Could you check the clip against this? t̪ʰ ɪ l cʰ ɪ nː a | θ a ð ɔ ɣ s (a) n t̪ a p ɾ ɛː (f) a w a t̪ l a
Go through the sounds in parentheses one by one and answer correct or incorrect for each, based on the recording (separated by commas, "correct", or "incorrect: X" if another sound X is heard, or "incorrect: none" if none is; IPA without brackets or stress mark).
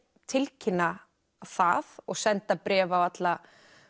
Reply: incorrect: ɛ, incorrect: v